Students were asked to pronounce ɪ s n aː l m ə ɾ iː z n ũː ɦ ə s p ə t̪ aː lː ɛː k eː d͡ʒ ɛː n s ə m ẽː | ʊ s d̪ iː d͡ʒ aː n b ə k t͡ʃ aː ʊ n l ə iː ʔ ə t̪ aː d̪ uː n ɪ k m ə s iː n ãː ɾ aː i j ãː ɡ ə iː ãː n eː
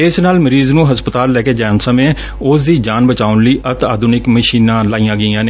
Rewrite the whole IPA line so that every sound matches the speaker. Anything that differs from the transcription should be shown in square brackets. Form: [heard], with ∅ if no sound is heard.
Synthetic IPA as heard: ɪ s n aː l m ə ɾ iː z n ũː ɦ ə s p ə t̪ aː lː ɛː k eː d͡ʒ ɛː n s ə m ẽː | ʊ s d̪ iː d͡ʒ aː n b ə [∅] t͡ʃ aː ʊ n l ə iː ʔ ə t̪ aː d̪ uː n ɪ k m ə [ʃ] iː n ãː [l] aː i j ãː ɡ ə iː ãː n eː